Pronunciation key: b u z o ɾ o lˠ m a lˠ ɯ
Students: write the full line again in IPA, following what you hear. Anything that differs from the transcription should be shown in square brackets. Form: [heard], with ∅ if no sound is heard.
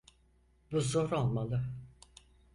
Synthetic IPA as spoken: b u z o ɾ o lˠ m a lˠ ɯ